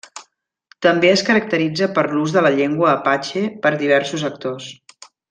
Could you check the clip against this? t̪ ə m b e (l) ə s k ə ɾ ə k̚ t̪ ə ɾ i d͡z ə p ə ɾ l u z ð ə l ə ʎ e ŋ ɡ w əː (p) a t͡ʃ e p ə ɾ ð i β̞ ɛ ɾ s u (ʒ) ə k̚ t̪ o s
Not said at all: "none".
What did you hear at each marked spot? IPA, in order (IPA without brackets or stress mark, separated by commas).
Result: none, p, z